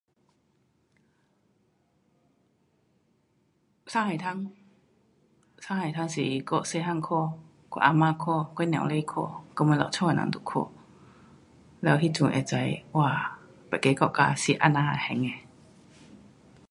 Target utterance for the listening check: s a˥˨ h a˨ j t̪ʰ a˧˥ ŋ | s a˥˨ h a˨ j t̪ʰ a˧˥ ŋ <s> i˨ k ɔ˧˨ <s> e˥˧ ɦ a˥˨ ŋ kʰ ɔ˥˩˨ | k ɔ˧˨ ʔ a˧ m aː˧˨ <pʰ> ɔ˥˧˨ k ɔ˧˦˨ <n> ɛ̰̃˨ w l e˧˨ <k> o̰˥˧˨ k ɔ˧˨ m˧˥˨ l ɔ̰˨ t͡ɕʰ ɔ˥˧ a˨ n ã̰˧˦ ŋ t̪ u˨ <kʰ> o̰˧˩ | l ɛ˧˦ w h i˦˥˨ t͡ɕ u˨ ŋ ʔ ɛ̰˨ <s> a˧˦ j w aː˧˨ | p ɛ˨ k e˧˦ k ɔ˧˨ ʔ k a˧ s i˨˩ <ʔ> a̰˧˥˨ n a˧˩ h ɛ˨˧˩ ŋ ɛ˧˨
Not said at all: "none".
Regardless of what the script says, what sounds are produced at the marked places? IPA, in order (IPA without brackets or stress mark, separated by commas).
s, s, kʰ, n, kʰ, kʰ, t͡s, ʔ